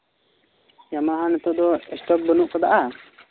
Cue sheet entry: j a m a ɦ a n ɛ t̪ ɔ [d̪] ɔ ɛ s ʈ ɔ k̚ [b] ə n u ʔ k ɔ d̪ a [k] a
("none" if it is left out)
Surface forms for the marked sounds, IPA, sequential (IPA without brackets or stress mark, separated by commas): d̪, b, ʔ